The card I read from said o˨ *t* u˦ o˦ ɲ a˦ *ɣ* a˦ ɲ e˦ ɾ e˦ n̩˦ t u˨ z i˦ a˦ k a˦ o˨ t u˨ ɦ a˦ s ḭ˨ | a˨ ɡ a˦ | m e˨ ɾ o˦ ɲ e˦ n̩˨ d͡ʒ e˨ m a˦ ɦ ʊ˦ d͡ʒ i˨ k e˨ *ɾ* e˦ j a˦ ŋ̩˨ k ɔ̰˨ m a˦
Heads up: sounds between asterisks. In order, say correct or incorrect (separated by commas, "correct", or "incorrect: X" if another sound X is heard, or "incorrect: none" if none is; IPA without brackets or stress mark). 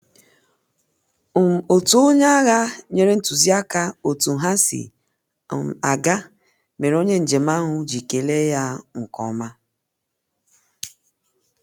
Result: correct, correct, incorrect: l